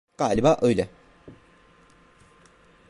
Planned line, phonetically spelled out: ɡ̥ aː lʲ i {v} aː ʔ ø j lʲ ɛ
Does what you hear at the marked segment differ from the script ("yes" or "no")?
yes